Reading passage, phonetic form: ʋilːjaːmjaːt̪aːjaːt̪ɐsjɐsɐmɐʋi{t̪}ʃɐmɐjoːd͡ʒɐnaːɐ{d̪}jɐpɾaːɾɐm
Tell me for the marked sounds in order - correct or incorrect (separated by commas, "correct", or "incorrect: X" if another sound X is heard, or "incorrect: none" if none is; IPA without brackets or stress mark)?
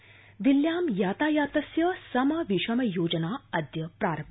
incorrect: none, correct